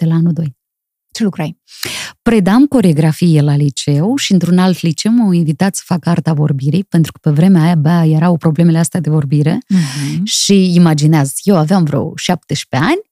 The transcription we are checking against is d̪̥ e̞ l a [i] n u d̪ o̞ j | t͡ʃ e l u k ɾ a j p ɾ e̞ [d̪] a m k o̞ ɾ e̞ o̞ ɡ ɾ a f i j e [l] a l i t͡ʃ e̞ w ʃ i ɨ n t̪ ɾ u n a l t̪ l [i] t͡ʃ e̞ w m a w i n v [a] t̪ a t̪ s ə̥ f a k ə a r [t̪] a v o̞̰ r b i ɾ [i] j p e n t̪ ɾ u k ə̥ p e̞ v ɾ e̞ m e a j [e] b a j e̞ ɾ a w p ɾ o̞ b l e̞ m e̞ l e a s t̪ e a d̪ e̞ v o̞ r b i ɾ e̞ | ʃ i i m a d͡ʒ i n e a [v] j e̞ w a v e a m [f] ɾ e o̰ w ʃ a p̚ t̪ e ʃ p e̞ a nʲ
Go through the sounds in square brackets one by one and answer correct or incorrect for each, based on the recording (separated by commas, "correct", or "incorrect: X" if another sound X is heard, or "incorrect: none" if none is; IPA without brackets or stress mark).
incorrect: a, correct, correct, correct, incorrect: i, correct, correct, incorrect: a, incorrect: z, incorrect: v